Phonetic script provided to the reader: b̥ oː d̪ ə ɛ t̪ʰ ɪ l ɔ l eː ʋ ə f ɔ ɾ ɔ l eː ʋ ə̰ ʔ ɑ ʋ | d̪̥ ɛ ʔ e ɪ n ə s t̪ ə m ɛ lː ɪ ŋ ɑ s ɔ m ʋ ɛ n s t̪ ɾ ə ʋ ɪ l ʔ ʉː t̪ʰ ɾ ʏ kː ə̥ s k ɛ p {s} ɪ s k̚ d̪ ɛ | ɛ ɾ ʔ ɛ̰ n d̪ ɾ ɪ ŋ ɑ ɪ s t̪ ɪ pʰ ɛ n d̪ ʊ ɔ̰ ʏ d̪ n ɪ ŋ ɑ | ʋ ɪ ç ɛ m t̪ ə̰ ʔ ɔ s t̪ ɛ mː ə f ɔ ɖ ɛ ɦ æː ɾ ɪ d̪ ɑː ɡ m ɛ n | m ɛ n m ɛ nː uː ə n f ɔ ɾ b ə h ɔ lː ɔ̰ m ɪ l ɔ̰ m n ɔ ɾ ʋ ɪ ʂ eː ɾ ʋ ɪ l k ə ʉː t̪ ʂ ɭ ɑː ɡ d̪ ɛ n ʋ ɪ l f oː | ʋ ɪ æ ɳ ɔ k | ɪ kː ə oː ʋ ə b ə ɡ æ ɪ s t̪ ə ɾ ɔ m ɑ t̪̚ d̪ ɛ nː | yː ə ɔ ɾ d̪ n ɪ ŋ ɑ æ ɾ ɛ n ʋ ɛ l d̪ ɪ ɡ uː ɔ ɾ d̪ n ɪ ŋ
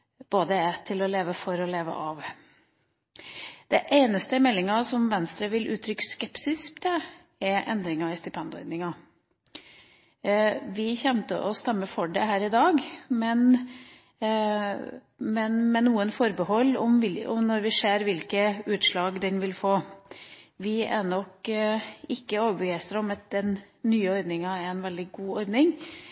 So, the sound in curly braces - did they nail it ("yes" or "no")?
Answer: yes